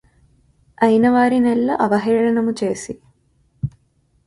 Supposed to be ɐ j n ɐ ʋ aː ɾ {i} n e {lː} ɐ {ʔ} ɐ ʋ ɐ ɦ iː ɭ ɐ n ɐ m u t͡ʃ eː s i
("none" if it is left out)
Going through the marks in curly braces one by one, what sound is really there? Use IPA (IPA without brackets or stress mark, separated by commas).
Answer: i, lː, ʔ